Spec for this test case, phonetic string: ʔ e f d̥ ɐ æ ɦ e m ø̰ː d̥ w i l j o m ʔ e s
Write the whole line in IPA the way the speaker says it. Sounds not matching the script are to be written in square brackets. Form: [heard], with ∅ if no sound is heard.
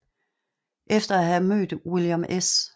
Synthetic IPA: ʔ e f d̥ ɐ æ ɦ [æ] m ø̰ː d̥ w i l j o m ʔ e s

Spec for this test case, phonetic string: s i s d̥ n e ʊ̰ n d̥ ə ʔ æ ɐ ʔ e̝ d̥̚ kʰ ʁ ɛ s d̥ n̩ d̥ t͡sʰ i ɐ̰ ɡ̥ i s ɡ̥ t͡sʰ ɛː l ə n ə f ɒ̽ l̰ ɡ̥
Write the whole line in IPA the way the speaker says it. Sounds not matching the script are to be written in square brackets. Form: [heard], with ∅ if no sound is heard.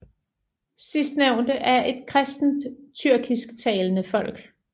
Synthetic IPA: s i s d̥ n e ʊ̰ n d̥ ə ʔ æ ɐ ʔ e̝ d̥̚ kʰ ʁ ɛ s d̥ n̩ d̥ t͡sʰ [y] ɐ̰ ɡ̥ i s ɡ̥ t͡sʰ ɛː l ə n ə f ɒ̽ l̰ ɡ̥

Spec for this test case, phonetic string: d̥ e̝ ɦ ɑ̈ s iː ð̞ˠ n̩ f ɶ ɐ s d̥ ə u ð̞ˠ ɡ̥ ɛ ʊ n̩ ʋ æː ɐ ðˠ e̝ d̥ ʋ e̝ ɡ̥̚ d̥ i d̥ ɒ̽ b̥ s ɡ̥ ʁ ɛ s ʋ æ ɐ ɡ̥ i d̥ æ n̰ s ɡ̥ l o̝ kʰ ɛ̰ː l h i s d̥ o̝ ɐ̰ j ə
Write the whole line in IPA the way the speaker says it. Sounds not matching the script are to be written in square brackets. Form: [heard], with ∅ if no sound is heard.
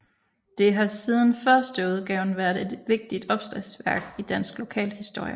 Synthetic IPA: d̥ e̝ ɦ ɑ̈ s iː ð̞ˠ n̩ f ɶ ɐ s d̥ ə u ð̞ˠ ɡ̥ ɛ ʊ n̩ ʋ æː ɐ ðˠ e̝ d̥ ʋ e̝ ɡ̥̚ d̥ i d̥ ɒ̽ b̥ s [d̥] ʁ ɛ s ʋ æ ɐ ɡ̥ i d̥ æ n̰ s ɡ̥ l o̝ kʰ ɛ̰ː l h i s d̥ o̝ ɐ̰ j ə

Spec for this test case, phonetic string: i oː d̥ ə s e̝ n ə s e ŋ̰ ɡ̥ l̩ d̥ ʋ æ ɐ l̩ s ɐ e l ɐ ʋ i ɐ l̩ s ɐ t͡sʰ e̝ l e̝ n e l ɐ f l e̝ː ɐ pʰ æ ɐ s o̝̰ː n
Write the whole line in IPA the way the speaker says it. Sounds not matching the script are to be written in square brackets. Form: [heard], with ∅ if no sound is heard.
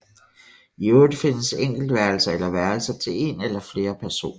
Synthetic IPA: i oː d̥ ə [f] e̝ n ə s e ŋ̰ ɡ̥ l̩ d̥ ʋ æ ɐ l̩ s ɐ e l ɐ ʋ [æ] ɐ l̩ s ɐ t͡sʰ e̝ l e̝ n e l ɐ f l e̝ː ɐ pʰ æ ɐ s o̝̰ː n

